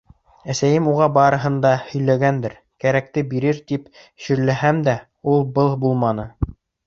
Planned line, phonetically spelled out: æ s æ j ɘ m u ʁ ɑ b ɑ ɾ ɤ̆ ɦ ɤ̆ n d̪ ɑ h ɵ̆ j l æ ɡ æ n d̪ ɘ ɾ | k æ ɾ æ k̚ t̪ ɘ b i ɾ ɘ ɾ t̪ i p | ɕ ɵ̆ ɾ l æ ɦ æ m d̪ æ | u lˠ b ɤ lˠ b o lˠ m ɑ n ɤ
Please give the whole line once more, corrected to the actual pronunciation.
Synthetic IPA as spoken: æ s æ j ɘ m u ʁ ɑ b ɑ ɾ ɤ̆ ɦ ɤ̆ n d̪ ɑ h ɵ̆ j l æ ɡ æ n d̪ ɘ ɾ | k æ ɾ æ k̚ t̪ ɘ b i ɾ ɘ ɾ t̪ i p | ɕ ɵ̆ ɾ l æ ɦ æ m d̪ æ | u lˠ b ɤ lˠ b u lˠ m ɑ n ɤ